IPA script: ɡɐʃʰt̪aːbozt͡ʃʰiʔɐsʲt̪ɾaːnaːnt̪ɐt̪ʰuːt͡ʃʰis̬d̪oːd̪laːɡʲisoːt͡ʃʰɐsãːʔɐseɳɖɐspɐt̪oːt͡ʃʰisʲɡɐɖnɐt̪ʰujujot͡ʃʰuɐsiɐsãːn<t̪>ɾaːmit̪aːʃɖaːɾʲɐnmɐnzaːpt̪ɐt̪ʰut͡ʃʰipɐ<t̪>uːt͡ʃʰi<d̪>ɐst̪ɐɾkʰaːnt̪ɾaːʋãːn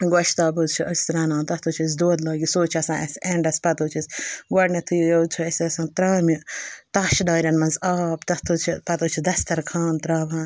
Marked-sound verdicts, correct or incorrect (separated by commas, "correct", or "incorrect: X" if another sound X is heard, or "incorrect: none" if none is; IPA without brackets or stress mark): correct, correct, correct